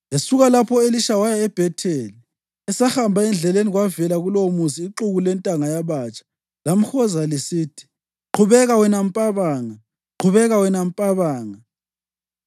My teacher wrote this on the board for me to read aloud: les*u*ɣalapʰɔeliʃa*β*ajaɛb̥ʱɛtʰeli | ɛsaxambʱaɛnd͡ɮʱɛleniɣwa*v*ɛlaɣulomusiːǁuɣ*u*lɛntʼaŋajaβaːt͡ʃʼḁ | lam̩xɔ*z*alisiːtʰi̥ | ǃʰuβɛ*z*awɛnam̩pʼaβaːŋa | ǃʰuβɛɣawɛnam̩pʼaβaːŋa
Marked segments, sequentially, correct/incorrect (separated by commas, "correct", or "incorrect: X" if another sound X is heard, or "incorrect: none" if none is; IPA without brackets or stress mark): correct, incorrect: w, correct, correct, correct, incorrect: ɣ